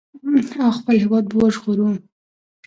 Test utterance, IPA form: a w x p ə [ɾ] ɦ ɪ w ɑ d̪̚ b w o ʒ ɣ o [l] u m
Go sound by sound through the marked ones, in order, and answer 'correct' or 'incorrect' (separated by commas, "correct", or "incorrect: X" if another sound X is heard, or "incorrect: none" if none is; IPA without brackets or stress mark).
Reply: incorrect: l, incorrect: ɾ